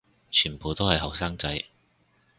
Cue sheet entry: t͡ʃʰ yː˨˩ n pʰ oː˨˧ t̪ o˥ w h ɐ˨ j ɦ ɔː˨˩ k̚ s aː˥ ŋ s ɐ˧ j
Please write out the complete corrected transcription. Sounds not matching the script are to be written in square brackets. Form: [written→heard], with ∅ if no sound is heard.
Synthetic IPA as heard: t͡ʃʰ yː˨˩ n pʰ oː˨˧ t̪ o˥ w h ɐ˨ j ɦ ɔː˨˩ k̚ s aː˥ ŋ [s→t͡s] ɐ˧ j

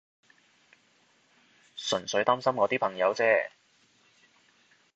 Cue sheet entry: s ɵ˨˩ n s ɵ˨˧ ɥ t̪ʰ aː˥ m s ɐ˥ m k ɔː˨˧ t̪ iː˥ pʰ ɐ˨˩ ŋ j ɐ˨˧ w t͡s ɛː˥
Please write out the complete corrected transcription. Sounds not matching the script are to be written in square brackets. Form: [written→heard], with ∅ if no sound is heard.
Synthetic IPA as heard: s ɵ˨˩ n s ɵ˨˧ ɥ [t̪ʰ→t̪] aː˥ m s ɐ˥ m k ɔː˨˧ t̪ iː˥ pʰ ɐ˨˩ ŋ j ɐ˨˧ w t͡s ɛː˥

